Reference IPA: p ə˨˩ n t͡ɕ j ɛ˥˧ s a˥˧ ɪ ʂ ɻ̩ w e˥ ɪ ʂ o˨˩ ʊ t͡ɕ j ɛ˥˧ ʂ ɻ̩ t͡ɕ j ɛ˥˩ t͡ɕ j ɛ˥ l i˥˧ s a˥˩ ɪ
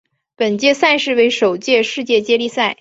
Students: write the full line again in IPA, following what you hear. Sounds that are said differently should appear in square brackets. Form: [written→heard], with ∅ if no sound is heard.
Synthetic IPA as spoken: p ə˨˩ n t͡ɕ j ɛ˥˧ s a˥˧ ɪ ʂ ɻ̩ w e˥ ɪ ʂ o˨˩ ʊ t͡ɕ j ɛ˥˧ ʂ ɻ̩ t͡ɕ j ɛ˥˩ t͡ɕ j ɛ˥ l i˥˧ s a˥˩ ɪ